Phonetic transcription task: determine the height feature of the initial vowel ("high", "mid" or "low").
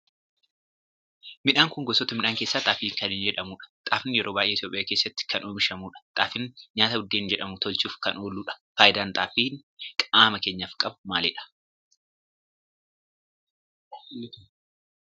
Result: high